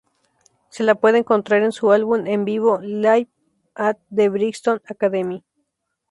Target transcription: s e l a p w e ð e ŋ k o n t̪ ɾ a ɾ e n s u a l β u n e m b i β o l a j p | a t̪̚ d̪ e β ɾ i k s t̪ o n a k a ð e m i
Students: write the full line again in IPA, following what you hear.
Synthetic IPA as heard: s e l a p w e ð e ŋ k o n t̪ ɾ a ɾ e n s u a l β u n e m b i β o l a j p | a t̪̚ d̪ e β ɾ i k s t̪ o n a k a ð e m i